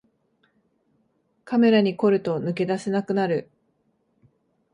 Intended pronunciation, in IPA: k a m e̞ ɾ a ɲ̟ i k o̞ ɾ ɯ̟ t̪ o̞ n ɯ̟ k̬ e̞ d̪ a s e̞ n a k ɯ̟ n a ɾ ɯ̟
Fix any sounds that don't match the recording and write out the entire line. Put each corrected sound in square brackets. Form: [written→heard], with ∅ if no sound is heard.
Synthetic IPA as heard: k a m e̞ ɾ a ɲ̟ i k o̞ ɾ ɯ̟ t̪ o̞ n ɯ̟ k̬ e̞ d̪ a s e̞ n a k ɯ̟ n a ɾ ɯ̟

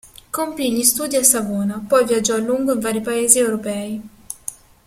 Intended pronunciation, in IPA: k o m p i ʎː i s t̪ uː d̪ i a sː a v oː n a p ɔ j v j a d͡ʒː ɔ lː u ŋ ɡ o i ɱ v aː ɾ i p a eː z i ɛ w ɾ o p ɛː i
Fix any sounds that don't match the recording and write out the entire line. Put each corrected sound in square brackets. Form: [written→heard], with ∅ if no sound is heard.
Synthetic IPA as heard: k o m p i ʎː i s t̪ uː d̪ i a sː a v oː n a p ɔ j v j a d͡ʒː ɔ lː u ŋ ɡ o i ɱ v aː ɾ i p a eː z i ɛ w ɾ o p ɛː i

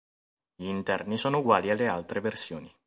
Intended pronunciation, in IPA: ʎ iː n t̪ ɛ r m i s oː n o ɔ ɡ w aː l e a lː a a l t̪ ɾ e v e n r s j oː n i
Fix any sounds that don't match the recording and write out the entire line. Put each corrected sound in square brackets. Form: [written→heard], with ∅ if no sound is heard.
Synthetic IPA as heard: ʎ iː n t̪ ɛ r [m→n] i s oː n o [ɔ→u] ɡ w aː l [e→i] a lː [a→e] a l t̪ ɾ e v e [n→∅] r s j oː n i

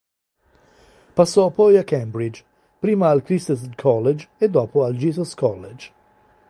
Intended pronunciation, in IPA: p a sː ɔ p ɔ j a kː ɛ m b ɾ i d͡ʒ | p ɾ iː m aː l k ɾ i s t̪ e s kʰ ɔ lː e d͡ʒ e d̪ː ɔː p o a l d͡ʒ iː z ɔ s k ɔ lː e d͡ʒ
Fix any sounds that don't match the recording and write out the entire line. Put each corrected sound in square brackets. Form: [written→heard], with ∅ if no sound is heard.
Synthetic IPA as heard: p a sː ɔ p ɔ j a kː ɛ m b ɾ i d͡ʒ | p ɾ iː m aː l k ɾ i s t̪ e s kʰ ɔ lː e d͡ʒ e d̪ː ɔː p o a l d͡ʒ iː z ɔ s k ɔ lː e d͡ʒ

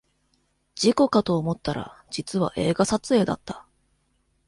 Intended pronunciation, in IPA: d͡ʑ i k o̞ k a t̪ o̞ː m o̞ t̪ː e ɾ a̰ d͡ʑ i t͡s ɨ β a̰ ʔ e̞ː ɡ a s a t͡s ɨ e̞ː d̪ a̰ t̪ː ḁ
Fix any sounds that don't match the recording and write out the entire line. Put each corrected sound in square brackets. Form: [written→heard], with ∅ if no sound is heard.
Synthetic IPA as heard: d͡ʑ i k o̞ k a t̪ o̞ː m o̞ t̪ː [e→a] ɾ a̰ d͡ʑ i t͡s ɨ β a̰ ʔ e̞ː ɡ a s a t͡s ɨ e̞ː d̪ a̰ t̪ː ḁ

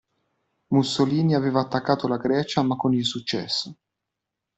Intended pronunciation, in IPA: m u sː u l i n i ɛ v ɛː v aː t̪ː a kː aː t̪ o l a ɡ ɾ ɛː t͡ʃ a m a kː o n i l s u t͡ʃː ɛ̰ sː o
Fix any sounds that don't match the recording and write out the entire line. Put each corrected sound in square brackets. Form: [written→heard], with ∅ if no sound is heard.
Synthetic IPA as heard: m u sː [u→o] l [i→iː] n i [ɛ→a] v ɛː v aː t̪ː a kː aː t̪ o l a ɡ ɾ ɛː t͡ʃ a m a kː o n i l s u t͡ʃː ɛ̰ sː o

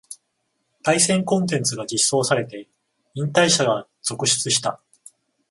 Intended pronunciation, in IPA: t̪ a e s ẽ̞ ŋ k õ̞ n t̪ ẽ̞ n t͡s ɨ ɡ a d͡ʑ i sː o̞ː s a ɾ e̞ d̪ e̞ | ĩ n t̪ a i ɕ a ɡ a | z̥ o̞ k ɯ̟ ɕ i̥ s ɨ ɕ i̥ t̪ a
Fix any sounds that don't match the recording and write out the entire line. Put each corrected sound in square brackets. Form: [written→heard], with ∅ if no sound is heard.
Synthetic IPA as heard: t̪ a [e→i] s ẽ̞ ŋ k õ̞ n t̪ ẽ̞ n t͡s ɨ ɡ a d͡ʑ i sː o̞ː s a ɾ e̞ [d̪→t̪] e̞ | ĩ n t̪ a i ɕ a ɡ a | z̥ o̞ k ɯ̟ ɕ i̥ [s→t͡s] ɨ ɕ i̥ t̪ a

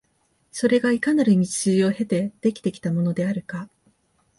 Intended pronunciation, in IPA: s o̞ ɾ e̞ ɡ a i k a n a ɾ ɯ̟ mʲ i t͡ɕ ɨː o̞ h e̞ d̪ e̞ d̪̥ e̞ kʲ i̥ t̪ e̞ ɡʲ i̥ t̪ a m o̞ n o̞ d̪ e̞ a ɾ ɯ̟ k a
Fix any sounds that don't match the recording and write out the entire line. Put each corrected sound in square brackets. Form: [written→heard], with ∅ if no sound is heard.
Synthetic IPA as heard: s o̞ ɾ e̞ ɡ a i k a n a ɾ ɯ̟ mʲ i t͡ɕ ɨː o̞ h e̞ [d̪→t̪] e̞ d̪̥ e̞ kʲ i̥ t̪ e̞ [ɡʲ→kʲ] i̥ t̪ a m o̞ n o̞ d̪ e̞ a ɾ ɯ̟ k a

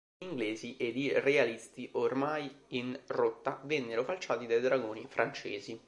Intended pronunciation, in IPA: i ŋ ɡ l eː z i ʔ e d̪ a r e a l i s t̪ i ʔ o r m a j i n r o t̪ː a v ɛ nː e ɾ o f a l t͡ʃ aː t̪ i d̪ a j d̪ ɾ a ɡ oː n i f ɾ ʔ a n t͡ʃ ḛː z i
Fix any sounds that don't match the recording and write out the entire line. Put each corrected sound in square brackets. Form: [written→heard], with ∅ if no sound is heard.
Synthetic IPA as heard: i ŋ ɡ l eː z i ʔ e d̪ [a→i] r e a l i s t̪ i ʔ o r m a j i n r o t̪ː a v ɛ nː e ɾ o f a l t͡ʃ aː t̪ i d̪ a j d̪ ɾ a ɡ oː n i f ɾ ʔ a n t͡ʃ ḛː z i

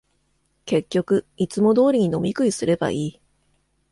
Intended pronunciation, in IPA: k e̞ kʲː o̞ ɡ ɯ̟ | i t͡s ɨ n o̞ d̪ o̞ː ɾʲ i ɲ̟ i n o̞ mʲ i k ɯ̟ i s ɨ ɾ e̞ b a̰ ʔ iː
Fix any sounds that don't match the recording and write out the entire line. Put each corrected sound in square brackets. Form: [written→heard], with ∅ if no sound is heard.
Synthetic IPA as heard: k e̞ kʲː o̞ [ɡ→k] ɯ̟ | i t͡s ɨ [n→m] o̞ d̪ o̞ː ɾʲ i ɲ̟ i n o̞ mʲ i k ɯ̟ i s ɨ ɾ e̞ b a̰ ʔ iː

